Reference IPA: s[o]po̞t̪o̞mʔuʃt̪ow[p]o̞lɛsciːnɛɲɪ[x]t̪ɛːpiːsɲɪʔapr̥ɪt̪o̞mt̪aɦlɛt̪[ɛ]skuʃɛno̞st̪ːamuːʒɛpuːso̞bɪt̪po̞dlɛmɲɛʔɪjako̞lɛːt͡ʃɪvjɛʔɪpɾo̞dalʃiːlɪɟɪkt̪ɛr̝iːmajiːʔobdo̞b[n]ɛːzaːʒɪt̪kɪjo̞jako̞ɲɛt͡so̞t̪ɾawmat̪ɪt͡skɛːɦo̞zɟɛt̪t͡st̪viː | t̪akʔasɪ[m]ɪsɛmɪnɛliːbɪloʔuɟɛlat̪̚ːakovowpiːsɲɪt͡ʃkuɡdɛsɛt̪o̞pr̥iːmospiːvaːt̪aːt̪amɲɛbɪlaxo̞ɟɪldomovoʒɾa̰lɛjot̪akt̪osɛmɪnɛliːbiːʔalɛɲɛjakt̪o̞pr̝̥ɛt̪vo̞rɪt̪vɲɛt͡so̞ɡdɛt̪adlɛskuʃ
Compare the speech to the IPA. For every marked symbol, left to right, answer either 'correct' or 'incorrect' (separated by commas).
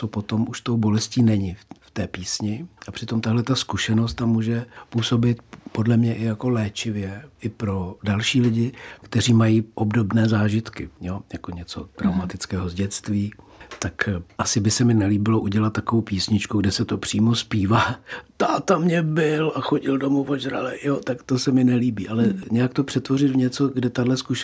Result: correct, incorrect, incorrect, incorrect, correct, incorrect